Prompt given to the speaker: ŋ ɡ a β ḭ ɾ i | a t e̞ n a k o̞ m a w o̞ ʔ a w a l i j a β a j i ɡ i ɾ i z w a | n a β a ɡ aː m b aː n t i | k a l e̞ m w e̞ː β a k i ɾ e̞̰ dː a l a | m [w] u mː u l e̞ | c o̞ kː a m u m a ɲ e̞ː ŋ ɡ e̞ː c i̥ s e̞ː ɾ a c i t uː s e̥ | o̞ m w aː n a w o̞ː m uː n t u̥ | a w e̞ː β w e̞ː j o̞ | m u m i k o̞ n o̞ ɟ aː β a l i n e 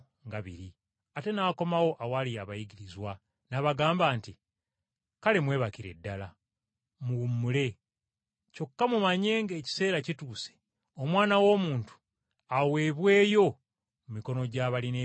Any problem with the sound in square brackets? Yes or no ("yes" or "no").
yes